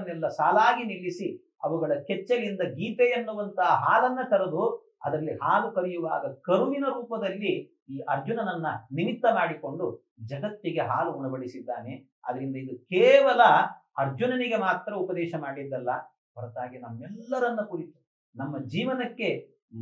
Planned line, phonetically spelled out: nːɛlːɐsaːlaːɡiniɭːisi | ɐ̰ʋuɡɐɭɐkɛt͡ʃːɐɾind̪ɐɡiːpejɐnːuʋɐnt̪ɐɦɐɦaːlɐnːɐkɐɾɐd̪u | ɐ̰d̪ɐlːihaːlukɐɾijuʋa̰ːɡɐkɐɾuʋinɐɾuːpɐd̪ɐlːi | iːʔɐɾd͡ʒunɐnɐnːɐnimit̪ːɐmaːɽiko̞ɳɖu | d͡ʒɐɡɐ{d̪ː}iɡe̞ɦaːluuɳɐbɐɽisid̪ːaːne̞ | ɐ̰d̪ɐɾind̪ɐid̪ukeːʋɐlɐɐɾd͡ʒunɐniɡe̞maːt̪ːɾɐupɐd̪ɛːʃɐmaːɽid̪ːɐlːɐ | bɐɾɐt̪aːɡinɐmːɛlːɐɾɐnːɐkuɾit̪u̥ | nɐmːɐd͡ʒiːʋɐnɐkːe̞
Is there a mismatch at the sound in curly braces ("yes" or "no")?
yes